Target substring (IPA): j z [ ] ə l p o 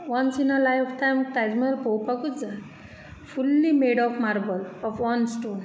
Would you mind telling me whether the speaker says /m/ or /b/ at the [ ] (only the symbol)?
m